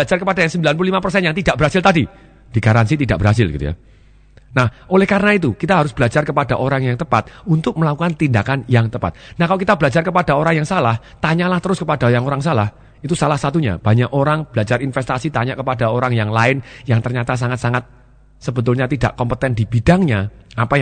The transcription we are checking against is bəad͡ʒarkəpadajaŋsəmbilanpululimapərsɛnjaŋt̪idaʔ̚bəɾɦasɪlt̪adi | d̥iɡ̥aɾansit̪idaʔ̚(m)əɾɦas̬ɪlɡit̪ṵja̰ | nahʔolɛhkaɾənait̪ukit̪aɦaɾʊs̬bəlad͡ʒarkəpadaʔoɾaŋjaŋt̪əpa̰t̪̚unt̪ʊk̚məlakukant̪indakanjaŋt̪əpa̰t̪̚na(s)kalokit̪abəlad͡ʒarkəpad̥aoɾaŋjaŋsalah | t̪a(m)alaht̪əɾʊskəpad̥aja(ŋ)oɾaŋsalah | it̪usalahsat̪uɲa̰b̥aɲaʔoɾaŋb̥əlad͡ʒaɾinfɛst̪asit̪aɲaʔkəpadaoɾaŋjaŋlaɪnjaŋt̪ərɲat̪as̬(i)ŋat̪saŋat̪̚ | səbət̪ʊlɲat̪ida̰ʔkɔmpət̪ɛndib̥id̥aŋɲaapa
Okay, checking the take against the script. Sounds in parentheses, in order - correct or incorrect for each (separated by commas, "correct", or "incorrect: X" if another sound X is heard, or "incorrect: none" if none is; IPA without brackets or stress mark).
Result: incorrect: b, incorrect: h, incorrect: ɲ, correct, incorrect: a